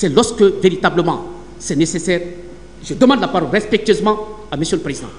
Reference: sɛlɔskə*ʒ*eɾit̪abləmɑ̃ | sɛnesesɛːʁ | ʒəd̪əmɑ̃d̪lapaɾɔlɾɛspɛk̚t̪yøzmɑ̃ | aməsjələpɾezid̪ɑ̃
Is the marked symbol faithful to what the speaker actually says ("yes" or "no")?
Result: no